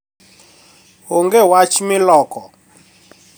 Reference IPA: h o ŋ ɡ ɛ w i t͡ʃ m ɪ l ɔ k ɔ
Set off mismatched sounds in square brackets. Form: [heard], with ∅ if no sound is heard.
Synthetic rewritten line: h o ŋ ɡ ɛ w [a] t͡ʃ m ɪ l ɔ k ɔ

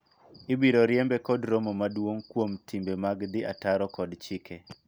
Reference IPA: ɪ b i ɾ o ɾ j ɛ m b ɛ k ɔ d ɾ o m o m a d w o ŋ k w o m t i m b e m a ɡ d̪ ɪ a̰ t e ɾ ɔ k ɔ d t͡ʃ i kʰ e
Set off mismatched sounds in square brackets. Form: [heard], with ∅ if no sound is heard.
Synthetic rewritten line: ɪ b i ɾ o ɾ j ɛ m b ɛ k ɔ d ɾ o m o m a d w o ŋ k w o m t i m b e m a ɡ d̪ ɪ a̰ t [a] ɾ ɔ k ɔ d t͡ʃ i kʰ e

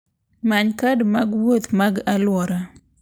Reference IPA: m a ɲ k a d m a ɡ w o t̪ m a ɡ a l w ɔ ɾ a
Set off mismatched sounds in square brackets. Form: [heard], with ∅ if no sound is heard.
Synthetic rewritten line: m a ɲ k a d m a ɡ w o t̪ m a ɡ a l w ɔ ɾ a

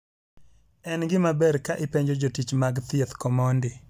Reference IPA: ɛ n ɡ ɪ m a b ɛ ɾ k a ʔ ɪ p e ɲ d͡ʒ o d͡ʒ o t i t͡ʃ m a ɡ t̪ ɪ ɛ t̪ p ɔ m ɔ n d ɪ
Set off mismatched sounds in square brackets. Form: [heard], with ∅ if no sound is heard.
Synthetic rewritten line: ɛ n ɡ ɪ m a b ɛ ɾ k a ʔ ɪ p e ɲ d͡ʒ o d͡ʒ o t i t͡ʃ m a ɡ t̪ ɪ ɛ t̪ [k] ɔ m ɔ n d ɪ

